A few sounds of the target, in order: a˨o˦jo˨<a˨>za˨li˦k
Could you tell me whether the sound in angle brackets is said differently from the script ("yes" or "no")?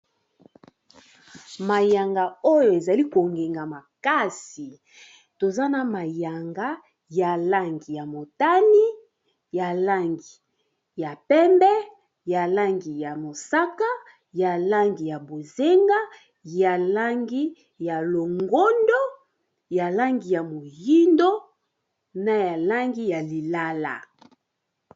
yes